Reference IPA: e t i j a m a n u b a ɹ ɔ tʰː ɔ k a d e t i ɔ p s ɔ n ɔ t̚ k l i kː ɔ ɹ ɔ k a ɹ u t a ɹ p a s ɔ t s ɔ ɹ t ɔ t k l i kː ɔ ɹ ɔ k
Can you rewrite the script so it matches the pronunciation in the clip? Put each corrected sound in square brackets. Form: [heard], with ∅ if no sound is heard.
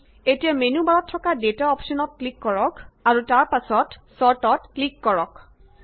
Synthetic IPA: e t i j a m [e] n u b a ɹ ɔ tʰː ɔ k a d e t [a] ɔ p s ɔ n ɔ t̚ k l i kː ɔ ɹ ɔ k a ɹ u t a ɹ p a s ɔ t s ɔ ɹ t ɔ t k l i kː ɔ ɹ ɔ k